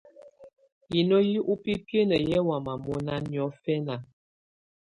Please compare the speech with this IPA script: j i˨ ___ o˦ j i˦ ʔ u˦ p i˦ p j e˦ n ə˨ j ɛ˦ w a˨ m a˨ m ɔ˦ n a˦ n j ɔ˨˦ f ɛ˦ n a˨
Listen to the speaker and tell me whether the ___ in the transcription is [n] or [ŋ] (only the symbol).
n